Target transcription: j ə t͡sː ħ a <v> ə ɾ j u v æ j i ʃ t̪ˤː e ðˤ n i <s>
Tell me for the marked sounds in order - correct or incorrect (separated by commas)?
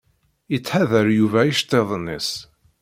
incorrect, correct